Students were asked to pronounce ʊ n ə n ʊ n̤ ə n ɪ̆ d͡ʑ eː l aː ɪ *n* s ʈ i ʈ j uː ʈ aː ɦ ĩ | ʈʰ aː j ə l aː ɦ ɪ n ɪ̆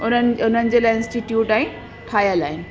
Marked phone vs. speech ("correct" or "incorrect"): correct